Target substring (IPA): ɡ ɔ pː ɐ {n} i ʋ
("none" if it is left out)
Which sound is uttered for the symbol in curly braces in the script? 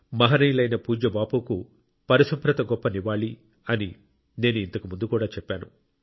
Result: n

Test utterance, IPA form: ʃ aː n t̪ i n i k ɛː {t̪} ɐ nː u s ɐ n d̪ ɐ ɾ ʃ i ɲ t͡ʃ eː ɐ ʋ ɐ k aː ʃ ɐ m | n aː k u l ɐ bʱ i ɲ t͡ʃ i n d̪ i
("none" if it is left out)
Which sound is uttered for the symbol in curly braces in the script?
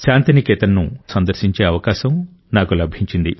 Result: t̪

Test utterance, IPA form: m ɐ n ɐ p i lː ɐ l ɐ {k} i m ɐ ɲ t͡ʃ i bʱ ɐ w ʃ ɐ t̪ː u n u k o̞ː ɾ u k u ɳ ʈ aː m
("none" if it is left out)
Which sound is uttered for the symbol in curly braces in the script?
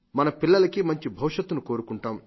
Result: k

